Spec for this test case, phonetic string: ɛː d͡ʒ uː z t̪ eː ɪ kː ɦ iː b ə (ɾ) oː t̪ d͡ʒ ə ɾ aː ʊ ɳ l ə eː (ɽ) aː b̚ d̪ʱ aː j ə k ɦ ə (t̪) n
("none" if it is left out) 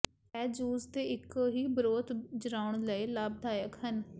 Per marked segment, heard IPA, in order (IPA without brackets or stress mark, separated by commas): ɾ, l, none